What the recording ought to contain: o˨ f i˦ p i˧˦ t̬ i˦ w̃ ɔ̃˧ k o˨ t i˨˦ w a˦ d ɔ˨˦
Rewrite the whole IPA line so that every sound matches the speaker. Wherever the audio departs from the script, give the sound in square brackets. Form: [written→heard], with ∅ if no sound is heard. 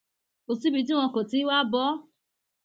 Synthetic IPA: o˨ [f→s] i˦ [p→b] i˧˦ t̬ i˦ w̃ ɔ̃˧ k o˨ t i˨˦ w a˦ [d→b] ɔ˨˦